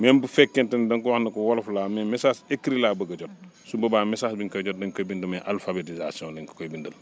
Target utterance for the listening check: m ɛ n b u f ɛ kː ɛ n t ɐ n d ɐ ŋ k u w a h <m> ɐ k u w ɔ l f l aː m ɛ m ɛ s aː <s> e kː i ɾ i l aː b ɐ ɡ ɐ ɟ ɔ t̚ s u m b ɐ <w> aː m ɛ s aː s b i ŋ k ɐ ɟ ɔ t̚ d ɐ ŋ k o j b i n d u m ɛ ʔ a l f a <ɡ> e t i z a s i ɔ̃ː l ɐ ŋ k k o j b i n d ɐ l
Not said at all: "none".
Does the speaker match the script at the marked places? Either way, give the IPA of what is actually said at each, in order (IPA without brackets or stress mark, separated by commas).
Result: n, s, b, b